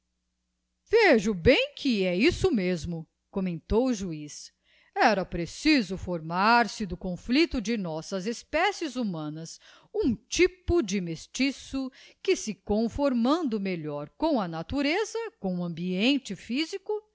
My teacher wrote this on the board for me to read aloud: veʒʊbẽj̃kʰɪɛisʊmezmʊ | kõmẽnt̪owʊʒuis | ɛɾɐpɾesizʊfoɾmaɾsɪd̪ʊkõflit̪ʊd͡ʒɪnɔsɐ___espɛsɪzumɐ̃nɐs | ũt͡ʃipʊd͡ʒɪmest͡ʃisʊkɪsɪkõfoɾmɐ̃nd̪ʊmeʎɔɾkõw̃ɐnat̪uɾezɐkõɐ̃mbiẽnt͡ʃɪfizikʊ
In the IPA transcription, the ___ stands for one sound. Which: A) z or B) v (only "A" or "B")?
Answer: A